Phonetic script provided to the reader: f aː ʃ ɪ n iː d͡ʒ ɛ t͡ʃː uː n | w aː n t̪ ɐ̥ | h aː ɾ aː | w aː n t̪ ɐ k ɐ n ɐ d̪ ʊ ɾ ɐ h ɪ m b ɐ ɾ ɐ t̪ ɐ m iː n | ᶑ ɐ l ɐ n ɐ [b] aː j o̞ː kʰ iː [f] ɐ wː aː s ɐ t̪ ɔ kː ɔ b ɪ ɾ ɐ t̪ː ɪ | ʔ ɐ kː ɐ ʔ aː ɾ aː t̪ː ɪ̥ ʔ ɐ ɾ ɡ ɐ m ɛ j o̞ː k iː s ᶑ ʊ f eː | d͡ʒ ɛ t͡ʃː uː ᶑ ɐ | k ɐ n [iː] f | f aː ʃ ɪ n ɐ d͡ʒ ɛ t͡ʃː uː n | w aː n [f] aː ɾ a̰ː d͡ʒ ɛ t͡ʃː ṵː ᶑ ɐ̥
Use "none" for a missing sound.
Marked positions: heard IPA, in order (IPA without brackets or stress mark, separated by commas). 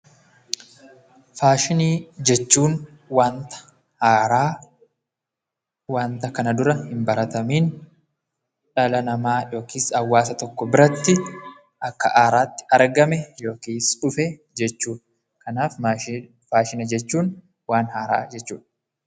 m, s, aː, h